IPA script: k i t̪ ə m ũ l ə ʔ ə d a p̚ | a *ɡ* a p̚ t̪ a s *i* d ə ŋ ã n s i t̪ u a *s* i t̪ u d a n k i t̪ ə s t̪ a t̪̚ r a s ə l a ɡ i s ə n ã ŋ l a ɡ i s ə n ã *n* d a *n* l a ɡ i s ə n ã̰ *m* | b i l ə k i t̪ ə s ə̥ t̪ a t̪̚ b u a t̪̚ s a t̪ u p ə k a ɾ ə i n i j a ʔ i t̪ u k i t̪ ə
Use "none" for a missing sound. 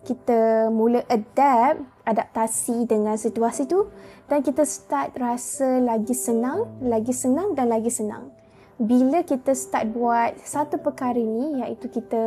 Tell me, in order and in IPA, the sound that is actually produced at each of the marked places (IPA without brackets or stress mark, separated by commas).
d, i, s, ŋ, n, ŋ